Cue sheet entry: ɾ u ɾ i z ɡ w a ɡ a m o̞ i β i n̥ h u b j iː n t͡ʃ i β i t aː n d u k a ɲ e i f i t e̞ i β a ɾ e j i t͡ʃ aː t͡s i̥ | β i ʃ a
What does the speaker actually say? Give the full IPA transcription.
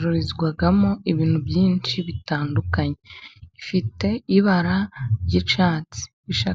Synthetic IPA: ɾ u ɾ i z ɡ w a ɡ a m o̞ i β iː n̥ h u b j iː n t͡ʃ i β i t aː n d u k a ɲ e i f i t e̞ i β a ɾ a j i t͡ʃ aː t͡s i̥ | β i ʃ a